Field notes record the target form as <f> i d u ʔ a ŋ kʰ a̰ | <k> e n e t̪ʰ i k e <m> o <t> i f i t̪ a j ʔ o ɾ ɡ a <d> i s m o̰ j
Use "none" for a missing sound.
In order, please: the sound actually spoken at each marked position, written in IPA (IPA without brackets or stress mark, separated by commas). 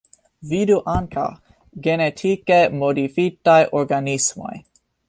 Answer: v, ɡ, m, d, n